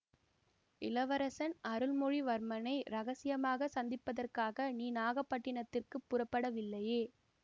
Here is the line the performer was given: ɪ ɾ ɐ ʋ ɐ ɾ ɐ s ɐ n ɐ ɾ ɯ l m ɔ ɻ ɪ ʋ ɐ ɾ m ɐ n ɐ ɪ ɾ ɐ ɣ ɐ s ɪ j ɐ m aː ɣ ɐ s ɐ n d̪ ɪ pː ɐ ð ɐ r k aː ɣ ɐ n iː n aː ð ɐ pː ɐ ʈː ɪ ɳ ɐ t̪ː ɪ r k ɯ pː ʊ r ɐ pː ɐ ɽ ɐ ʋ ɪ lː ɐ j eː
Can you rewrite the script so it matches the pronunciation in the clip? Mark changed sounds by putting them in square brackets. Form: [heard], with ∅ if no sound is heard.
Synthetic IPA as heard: ɪ [l] ɐ ʋ ɐ ɾ ɐ s ɐ n ɐ ɾ ɯ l m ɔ ɻ [i] ʋ ɐ ɾ m ɐ n ɐ ɪ ɾ ɐ ɣ ɐ s ɪ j ɐ m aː ɣ ɐ s ɐ n d̪ ɪ pː ɐ ð ɐ r k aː ɣ ɐ n iː n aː [ɣ] ɐ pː ɐ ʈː ɪ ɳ ɐ t̪ː ɪ r k ɯ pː ʊ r ɐ pː ɐ ɽ ɐ ʋ ɪ lː ɐ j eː